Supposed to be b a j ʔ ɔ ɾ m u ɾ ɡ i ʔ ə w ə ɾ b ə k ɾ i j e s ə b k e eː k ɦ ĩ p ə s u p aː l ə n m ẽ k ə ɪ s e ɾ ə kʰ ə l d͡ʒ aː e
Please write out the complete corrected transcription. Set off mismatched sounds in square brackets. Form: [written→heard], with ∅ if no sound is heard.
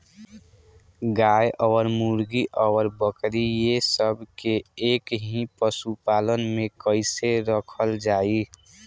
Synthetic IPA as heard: [b→ɡ] a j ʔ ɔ ɾ m u ɾ ɡ i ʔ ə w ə ɾ b ə k ɾ i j e s ə b k e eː k ɦ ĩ p ə s u p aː l ə n m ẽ k ə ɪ s e ɾ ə kʰ ə l d͡ʒ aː [e→i]